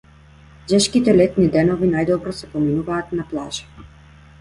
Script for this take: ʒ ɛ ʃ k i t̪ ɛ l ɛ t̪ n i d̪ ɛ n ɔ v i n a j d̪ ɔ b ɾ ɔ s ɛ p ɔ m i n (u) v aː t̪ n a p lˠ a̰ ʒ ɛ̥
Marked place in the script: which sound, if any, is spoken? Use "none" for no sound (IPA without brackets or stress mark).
u